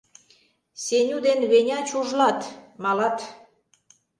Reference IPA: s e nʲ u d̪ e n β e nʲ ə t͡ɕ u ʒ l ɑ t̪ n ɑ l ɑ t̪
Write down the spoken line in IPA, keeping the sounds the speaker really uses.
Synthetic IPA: s e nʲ u d̪ e n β e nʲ ɑ t͡ɕ u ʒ l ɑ t̪ m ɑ l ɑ t̪